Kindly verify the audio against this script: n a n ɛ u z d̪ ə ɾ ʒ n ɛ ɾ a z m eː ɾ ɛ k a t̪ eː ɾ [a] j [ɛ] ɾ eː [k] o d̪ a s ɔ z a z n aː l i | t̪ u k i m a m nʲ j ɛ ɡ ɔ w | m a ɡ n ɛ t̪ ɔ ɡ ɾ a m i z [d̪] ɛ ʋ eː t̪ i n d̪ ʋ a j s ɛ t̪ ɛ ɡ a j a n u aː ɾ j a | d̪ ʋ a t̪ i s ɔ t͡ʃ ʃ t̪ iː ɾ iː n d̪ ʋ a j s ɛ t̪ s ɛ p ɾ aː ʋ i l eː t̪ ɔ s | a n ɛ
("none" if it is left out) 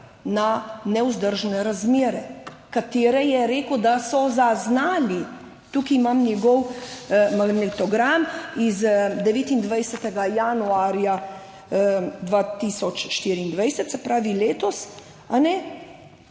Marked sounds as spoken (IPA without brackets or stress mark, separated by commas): ɛ, ɛ, k, d̪